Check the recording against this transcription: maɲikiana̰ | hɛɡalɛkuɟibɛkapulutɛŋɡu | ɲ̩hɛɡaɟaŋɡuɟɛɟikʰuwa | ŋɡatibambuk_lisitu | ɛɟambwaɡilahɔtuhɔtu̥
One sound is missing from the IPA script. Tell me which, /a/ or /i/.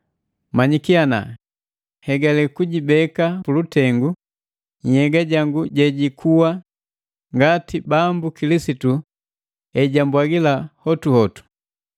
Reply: i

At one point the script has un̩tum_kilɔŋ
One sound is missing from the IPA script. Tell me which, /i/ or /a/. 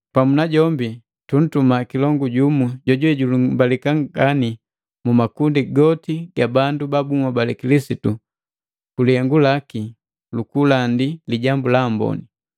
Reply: a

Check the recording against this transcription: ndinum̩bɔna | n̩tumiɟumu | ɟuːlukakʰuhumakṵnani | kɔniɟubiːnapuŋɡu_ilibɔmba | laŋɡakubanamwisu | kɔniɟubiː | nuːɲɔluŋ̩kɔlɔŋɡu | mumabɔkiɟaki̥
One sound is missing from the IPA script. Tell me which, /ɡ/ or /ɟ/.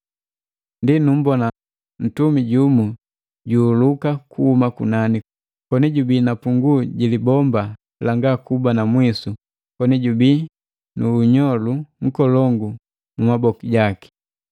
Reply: ɟ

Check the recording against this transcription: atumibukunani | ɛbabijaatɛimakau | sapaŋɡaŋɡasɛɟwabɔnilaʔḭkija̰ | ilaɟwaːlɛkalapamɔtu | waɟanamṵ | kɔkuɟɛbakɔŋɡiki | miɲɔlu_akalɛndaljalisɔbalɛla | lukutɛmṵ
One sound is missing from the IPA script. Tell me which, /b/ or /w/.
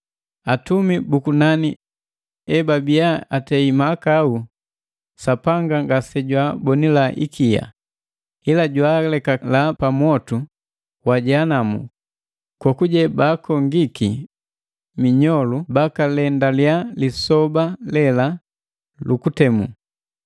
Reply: b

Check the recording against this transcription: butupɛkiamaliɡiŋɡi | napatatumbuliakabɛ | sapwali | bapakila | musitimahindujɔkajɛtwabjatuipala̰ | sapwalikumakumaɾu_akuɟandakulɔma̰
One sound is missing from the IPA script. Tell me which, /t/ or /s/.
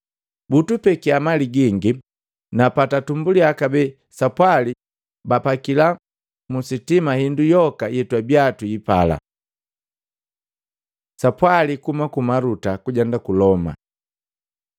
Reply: t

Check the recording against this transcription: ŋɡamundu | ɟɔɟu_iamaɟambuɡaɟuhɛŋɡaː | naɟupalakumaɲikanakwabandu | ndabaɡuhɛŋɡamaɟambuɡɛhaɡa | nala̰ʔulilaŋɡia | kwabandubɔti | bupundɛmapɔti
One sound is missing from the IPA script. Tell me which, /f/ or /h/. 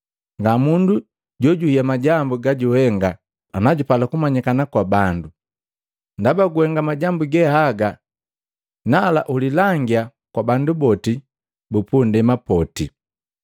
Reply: h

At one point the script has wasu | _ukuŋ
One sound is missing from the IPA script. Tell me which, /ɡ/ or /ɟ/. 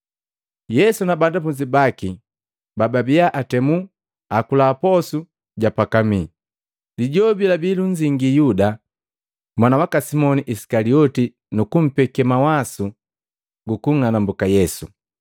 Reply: ɡ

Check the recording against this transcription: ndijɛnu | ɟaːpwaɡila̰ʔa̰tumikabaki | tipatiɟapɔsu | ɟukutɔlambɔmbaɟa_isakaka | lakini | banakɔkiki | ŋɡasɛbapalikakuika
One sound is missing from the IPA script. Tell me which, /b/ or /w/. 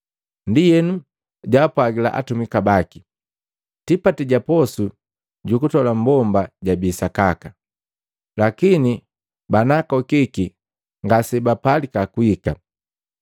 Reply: b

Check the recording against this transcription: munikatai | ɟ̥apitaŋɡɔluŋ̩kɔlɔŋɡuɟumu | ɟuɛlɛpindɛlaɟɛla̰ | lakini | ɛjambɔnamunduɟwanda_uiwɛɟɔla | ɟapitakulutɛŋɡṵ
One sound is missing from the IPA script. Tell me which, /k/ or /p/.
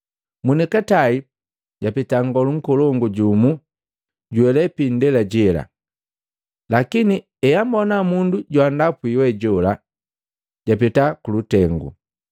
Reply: p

